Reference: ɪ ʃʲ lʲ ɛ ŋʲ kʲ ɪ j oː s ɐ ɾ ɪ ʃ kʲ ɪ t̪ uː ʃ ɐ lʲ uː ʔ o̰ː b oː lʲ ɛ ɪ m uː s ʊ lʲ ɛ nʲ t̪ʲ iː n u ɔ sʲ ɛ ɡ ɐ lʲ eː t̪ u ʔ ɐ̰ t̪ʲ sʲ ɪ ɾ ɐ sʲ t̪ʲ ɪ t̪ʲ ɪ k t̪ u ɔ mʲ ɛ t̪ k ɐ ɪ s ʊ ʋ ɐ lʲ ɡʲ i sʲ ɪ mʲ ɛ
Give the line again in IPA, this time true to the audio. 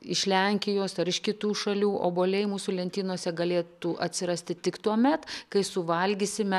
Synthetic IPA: ɪ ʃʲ lʲ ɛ ŋʲ kʲ ɪ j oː s ɐ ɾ ɪ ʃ kʲ ɪ t̪ uː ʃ ɐ lʲ uː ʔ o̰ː b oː lʲ ɛ ɪ m uː s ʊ lʲ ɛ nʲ t̪ʲ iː n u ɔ sʲ ɛ ɡ ɐ lʲ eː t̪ u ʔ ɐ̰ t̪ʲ sʲ ɪ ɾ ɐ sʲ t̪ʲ ɪ t̪ʲ ɪ k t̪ u ɔ mʲ ɛ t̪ k ɐ ɪ s ʊ ʋ ɐ lʲ ɡʲ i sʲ ɪ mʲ ɛ